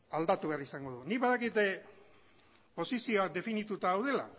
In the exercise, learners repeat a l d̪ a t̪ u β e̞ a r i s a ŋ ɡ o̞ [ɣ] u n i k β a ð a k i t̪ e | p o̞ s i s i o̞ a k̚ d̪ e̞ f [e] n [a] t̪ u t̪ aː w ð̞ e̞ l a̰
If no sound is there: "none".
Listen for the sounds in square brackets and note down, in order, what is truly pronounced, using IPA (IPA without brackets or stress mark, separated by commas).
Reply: ð, i, i